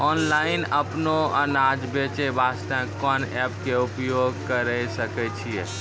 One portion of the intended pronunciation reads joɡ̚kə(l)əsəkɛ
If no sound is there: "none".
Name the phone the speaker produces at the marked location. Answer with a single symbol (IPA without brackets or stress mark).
ɾ